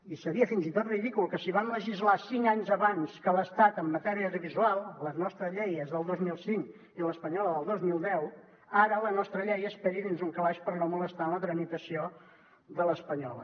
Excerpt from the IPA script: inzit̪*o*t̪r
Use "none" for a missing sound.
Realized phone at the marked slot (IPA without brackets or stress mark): o